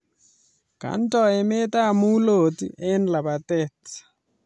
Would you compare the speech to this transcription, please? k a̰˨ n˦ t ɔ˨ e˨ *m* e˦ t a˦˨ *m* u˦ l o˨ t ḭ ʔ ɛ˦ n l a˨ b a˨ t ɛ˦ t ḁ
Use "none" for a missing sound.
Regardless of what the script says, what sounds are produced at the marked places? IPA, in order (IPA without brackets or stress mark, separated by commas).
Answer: m, m